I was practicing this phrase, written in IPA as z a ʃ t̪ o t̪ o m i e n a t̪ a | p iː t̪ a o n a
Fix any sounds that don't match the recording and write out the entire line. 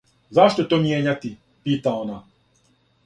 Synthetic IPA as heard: z a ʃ t̪ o t̪ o m j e ɲ a t̪ i | p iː t̪ a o n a